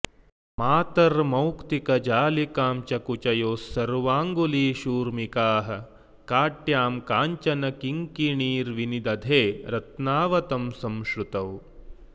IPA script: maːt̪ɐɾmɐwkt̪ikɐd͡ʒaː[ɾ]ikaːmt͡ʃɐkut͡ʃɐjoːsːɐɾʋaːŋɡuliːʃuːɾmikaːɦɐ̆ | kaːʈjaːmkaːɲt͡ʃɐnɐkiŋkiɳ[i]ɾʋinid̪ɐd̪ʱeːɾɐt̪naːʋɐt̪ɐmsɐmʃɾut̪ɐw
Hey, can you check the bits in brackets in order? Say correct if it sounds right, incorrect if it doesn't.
incorrect, incorrect

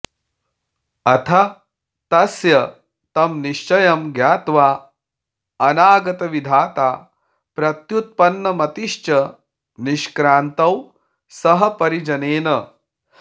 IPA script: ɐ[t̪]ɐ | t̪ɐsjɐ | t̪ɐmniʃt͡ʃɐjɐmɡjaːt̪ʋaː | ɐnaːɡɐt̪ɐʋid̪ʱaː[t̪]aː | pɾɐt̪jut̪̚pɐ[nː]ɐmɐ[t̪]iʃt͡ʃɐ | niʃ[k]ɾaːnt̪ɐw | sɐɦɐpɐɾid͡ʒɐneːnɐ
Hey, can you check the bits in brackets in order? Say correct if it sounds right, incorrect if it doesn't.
incorrect, correct, correct, correct, correct

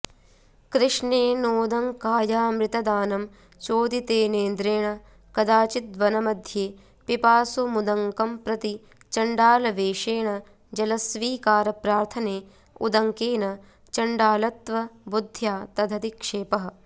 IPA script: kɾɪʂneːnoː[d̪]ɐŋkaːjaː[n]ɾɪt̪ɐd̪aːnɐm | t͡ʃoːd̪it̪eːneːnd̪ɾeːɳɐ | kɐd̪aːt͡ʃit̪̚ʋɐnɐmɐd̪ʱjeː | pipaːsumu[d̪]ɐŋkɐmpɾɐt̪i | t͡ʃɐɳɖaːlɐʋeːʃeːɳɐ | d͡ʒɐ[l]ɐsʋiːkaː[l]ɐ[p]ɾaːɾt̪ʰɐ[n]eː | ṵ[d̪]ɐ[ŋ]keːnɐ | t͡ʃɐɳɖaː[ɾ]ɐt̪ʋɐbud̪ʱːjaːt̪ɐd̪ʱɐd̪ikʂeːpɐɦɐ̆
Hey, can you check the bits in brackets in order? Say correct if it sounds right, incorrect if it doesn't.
correct, incorrect, correct, correct, incorrect, correct, correct, correct, correct, incorrect

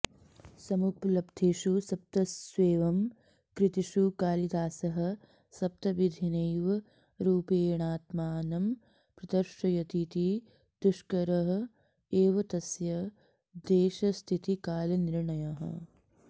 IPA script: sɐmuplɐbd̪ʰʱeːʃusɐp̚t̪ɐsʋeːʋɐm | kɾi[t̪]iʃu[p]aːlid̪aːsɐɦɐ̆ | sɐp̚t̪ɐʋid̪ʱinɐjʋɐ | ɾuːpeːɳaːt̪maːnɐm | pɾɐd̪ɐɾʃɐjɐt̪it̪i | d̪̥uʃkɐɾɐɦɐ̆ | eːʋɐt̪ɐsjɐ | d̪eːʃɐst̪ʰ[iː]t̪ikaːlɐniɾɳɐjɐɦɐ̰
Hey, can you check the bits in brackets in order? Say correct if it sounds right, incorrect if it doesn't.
correct, incorrect, incorrect

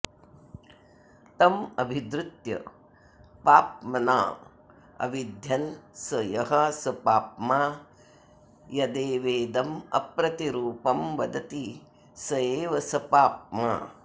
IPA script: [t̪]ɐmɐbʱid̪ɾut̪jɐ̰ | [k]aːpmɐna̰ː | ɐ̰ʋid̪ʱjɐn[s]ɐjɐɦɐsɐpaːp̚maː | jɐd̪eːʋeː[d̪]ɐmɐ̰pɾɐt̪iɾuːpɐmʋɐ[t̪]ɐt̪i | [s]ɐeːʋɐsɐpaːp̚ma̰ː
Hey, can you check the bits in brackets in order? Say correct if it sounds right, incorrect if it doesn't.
correct, incorrect, correct, correct, incorrect, correct

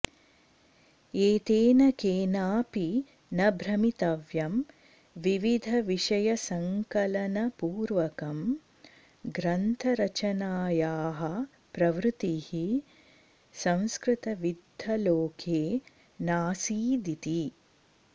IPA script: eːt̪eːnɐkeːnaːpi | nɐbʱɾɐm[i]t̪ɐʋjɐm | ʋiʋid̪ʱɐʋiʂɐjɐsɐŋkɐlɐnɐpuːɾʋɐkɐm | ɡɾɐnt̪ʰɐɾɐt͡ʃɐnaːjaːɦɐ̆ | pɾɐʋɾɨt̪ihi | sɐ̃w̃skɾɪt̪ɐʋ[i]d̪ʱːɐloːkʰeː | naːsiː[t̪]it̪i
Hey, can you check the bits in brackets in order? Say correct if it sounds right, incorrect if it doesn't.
correct, correct, incorrect

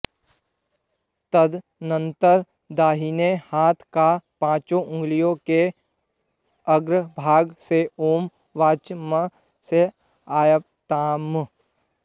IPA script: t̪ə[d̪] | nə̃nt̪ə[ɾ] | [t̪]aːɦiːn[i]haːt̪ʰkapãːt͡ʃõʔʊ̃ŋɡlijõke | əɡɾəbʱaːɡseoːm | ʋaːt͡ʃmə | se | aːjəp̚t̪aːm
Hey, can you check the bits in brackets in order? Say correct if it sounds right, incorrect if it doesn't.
correct, correct, incorrect, incorrect

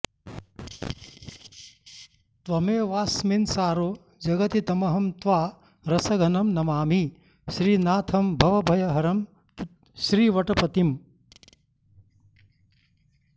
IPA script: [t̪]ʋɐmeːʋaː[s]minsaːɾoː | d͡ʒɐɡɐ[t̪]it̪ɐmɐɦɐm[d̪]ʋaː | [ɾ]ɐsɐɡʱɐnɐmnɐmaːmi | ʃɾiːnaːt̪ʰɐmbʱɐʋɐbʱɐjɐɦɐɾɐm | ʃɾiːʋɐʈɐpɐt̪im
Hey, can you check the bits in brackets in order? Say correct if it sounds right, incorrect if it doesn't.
correct, correct, correct, incorrect, correct

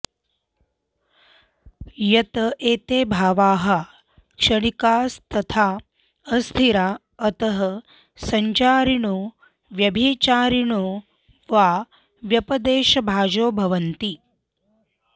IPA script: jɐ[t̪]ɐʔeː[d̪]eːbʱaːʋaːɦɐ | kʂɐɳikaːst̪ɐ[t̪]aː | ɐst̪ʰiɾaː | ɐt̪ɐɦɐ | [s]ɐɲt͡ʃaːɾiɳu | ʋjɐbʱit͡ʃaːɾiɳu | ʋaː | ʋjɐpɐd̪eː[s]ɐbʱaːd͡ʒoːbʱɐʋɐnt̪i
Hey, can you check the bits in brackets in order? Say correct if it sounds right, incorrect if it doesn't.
correct, incorrect, incorrect, correct, incorrect

